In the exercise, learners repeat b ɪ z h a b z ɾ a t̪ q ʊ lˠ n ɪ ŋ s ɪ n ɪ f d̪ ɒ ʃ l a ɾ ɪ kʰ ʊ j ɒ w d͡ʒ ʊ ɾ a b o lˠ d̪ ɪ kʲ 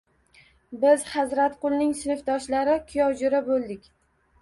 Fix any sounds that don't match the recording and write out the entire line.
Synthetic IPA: b ɪ z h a z ɾ a t̪ q ʊ lˠ n ɪ ŋ s ɪ n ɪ f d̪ ɒ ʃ l a ɾ ɪ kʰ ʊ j ɒ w d͡ʒ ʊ ɾ a b o lˠ d̪ ɪ kʲ